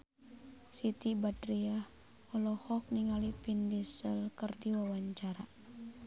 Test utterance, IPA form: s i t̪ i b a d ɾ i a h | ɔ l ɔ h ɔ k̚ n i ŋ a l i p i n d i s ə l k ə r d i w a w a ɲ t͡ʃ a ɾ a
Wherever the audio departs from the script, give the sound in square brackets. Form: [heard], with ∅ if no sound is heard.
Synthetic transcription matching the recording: s i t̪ i b a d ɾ i a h | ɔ l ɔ h ɔ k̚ n i ŋ a l i p i n d i s ə l k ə r d i w a w a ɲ t͡ʃ a ɾ a